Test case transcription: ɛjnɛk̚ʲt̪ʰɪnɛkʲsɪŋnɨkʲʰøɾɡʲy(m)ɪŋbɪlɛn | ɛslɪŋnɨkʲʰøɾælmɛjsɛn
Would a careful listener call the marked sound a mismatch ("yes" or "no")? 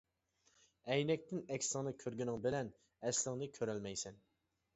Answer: yes